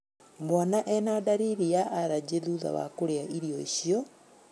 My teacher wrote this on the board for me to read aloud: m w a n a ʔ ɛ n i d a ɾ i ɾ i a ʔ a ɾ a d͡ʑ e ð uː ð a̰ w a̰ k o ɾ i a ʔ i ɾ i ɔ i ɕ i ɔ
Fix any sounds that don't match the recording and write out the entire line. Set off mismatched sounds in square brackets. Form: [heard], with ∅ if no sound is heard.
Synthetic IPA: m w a n a ʔ ɛ n [a] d a ɾ i ɾ i a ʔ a ɾ a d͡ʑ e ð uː ð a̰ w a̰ k o ɾ [e] a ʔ i ɾ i ɔ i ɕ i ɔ